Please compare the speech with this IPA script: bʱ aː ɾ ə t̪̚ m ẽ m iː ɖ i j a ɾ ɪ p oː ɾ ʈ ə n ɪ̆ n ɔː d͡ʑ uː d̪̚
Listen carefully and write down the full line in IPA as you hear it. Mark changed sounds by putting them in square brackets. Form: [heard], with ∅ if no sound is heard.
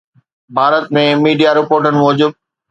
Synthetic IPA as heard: bʱ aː ɾ ə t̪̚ m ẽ m iː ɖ i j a ɾ ɪ p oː ɾ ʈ ə n ɪ̆ [m] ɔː d͡ʑ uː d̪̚